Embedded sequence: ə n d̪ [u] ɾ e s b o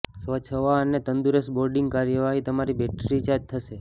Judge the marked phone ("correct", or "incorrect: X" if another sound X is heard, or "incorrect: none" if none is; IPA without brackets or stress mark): correct